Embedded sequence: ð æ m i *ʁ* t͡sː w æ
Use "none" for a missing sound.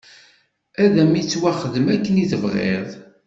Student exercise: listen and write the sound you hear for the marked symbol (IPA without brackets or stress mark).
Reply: none